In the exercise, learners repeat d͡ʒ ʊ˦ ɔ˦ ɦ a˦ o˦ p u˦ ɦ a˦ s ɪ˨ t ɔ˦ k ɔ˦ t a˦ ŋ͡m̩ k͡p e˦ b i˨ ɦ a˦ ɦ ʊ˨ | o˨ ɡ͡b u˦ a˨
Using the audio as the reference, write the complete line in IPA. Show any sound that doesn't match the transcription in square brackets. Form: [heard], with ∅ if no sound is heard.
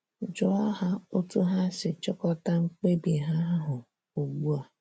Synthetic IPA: d͡ʒ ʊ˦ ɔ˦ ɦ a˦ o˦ [t] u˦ ɦ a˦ s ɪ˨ [t͡ʃ] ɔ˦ k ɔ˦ t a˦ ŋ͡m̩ k͡p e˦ b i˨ ɦ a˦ ɦ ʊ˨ | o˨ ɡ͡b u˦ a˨